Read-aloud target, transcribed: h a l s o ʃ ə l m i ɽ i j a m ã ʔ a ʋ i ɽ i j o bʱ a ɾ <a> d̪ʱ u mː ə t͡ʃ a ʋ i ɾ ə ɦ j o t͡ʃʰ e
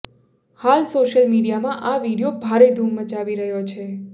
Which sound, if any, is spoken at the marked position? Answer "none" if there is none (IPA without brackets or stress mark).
e